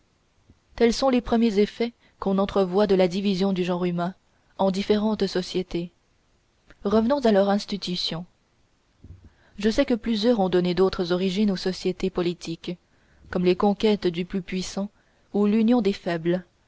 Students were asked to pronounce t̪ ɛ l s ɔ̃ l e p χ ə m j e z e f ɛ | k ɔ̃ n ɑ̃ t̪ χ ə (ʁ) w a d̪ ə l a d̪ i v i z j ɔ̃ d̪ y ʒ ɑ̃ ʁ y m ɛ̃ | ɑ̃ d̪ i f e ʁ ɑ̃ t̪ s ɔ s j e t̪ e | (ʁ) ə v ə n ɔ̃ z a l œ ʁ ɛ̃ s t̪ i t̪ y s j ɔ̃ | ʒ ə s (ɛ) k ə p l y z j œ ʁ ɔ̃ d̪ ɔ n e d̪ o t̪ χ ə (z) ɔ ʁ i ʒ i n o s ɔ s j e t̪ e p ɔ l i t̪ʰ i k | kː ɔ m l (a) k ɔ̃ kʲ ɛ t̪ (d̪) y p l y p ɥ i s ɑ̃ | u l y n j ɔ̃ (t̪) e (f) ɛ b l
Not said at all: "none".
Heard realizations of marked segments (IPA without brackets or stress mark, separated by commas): v, ʁ, ɛ, z, e, d̪, d̪, f